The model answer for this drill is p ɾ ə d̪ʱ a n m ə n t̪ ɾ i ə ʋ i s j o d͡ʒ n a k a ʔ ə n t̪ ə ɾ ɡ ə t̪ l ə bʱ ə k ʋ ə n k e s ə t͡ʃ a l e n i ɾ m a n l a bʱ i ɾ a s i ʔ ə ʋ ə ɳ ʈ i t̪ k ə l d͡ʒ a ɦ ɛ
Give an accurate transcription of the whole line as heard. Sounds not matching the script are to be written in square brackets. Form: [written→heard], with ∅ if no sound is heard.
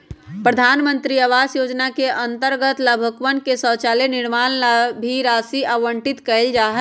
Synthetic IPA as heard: p ɾ ə d̪ʱ a n m ə n t̪ ɾ i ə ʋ [i→a] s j o d͡ʒ n a k [a→e] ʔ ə n t̪ ə ɾ ɡ ə t̪ l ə bʱ ə k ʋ ə n k e s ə t͡ʃ a l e n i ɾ m a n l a bʱ i ɾ a s i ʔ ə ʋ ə ɳ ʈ i t̪ k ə l d͡ʒ a ɦ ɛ